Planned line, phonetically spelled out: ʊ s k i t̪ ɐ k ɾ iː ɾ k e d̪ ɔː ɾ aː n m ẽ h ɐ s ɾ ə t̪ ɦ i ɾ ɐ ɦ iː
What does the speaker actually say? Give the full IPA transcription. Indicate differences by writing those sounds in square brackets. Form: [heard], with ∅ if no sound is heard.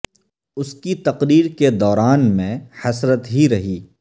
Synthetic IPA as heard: ʊ s k i t̪ ɐ [q] ɾ iː ɾ k e d̪ ɔː ɾ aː n m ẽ h ɐ s ɾ ə t̪ ɦ i ɾ ɐ ɦ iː